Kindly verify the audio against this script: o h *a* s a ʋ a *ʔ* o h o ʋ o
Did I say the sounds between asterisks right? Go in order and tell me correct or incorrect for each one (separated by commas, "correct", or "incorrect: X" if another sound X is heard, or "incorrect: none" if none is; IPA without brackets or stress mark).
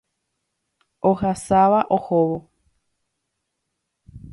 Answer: correct, correct